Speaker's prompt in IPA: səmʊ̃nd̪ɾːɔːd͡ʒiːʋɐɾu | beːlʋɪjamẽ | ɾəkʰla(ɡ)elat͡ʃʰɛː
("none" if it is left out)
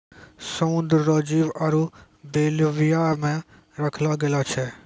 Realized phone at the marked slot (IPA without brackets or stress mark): ɡ